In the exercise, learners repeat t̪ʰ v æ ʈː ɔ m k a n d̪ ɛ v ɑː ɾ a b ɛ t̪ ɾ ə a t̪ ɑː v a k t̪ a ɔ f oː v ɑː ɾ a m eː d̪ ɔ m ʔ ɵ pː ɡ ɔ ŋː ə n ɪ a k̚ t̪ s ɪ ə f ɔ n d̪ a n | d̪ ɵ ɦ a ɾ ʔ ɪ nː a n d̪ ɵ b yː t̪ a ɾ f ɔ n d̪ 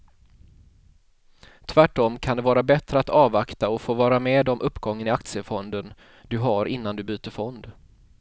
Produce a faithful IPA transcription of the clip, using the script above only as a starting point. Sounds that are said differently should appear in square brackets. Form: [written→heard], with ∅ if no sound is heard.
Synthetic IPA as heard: t̪ʰ v æ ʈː ɔ m [k→kʰ] a n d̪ ɛ v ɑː ɾ a b ɛ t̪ ɾ ə a t̪ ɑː v a k t̪ a ɔ f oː v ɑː ɾ a m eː d̪ ɔ m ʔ ɵ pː ɡ ɔ ŋː ə n ɪ a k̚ t̪ s ɪ ə f ɔ n d̪ [a→ə] n | d̪ ɵ ɦ a ɾ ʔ ɪ nː a n d̪ ɵ b yː t̪ [a→ə] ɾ f ɔ n d̪